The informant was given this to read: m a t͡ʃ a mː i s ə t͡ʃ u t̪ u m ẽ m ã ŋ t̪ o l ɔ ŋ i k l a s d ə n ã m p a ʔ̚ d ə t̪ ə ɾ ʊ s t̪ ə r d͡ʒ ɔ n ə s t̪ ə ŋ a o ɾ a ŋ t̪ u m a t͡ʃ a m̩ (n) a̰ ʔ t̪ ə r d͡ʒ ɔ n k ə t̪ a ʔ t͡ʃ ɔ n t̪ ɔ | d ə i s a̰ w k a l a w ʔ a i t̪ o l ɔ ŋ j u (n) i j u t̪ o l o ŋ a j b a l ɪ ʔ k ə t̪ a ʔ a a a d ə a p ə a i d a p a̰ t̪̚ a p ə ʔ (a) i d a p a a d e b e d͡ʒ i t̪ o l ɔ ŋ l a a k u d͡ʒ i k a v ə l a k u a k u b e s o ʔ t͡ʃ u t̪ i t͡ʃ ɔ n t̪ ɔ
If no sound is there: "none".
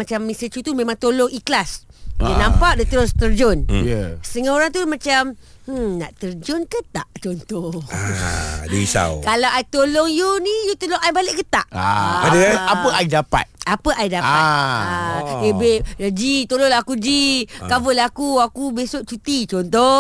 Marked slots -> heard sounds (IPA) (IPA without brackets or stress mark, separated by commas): n, n, a